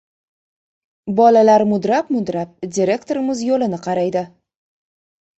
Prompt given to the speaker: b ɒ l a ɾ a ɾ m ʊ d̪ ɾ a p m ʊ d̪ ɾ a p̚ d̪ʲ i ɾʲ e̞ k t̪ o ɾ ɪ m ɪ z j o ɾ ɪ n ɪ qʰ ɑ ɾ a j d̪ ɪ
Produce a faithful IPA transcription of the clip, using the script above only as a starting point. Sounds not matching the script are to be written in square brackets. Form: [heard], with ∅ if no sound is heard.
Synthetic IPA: b ɒ l a [l] a ɾ m ʊ d̪ ɾ a p m ʊ d̪ ɾ a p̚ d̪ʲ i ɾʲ e̞ k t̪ o ɾ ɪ m ɪ z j o [l] ɪ n ɪ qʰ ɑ ɾ a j d̪ ɪ